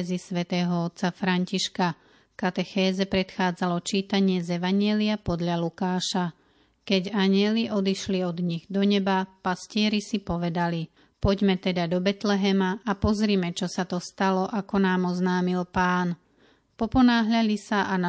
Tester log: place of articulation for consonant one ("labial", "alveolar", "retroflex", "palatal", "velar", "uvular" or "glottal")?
alveolar